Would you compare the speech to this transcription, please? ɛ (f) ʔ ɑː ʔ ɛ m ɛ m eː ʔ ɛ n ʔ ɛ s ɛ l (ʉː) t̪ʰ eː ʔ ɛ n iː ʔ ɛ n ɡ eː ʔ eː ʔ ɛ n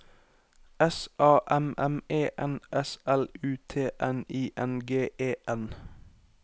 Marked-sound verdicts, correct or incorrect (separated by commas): incorrect, correct